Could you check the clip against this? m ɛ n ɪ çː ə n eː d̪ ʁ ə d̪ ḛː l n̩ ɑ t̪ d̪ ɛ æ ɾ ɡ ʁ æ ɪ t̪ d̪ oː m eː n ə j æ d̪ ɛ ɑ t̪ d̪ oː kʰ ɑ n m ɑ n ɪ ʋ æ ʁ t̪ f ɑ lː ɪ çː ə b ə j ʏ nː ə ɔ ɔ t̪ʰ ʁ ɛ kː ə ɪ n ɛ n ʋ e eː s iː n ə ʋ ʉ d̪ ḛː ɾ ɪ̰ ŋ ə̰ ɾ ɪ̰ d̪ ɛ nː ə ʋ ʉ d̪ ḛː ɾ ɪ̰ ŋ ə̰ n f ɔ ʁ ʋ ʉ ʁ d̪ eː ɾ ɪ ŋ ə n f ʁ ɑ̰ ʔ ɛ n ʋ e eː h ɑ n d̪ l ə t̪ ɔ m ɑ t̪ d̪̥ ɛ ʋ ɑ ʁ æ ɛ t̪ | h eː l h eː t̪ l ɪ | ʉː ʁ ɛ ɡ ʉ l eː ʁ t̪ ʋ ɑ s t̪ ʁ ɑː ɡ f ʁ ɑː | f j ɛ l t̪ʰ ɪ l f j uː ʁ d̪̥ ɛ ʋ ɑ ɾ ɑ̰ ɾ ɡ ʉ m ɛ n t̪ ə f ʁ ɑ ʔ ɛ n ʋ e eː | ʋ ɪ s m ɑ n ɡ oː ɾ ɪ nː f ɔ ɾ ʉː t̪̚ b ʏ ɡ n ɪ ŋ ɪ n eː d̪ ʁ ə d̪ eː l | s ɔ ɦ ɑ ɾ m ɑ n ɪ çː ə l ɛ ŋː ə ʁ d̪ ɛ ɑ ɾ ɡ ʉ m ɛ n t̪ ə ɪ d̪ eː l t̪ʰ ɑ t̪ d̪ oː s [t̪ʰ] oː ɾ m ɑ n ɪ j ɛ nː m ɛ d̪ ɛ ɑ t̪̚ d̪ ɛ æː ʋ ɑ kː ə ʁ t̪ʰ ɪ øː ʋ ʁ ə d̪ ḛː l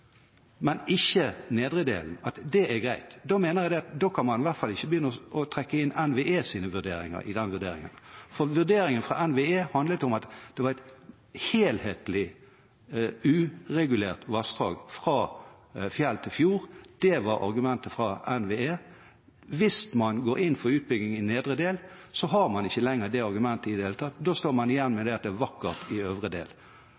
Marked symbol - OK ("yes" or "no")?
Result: no